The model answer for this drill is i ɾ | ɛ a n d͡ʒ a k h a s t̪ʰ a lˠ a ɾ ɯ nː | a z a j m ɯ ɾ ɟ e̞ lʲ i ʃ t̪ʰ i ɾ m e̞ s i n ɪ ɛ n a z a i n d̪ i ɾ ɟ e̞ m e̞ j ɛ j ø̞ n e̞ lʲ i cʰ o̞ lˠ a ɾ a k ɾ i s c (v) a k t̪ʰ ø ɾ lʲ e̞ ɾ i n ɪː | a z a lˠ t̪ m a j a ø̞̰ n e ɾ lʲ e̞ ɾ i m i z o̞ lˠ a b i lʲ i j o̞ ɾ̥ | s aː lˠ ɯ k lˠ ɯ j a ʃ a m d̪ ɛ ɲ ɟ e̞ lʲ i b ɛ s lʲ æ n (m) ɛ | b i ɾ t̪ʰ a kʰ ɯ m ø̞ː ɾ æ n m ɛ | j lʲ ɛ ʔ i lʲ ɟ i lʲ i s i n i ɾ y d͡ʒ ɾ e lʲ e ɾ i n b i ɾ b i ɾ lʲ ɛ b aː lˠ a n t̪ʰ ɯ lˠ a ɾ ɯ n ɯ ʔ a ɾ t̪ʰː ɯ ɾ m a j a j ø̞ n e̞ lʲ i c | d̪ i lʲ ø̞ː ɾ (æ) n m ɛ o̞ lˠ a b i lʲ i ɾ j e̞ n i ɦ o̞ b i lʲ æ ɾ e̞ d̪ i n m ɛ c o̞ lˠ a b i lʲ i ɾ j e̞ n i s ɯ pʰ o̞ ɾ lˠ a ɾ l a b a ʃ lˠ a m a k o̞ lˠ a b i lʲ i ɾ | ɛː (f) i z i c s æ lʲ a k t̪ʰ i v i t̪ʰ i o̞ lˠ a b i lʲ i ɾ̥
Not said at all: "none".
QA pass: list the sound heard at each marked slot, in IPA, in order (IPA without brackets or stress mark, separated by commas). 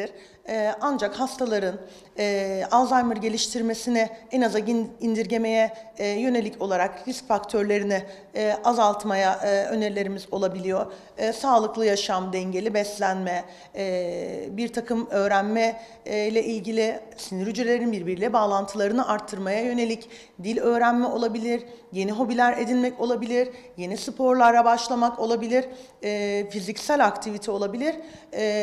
f, m, æ, f